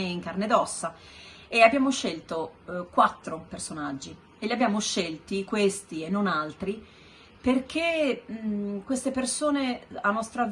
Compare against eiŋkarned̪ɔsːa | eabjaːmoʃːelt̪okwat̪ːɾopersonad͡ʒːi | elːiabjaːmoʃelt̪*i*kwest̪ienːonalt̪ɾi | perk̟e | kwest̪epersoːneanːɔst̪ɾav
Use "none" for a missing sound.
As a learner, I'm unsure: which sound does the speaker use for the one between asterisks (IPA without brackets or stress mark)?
i